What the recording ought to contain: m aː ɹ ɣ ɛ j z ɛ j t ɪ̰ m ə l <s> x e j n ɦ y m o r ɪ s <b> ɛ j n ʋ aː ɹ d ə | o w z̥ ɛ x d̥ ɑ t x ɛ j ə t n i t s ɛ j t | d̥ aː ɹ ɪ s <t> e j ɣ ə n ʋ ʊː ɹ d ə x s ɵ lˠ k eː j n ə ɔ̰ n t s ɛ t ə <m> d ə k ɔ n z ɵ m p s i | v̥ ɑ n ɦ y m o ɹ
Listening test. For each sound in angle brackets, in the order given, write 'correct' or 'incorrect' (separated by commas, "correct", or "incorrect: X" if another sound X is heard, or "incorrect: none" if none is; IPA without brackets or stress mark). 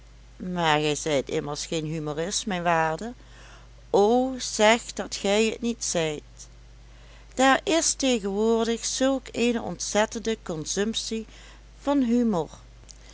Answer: correct, incorrect: m, correct, incorrect: n